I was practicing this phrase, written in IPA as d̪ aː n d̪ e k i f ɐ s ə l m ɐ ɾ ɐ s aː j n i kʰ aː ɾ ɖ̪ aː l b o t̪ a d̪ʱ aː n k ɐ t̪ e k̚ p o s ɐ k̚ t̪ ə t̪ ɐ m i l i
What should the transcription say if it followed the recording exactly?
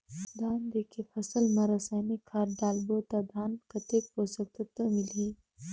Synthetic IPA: d̪ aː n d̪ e k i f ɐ s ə l m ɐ ɾ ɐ s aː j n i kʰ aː ɾ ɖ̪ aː l b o t̪ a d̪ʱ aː n k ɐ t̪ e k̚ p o s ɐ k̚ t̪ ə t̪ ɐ m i l i